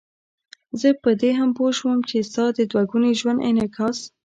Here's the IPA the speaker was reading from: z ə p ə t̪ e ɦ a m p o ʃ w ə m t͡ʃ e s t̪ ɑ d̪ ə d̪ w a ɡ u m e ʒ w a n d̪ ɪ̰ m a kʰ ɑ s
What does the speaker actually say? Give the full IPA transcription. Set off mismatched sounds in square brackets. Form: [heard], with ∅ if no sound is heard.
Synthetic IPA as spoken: z ə p ə [d̪] e ɦ a m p o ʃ w ə m t͡ʃ e s t̪ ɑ d̪ ə d̪ w a ɡ u [n] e ʒ w a n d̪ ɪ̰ [n] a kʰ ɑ s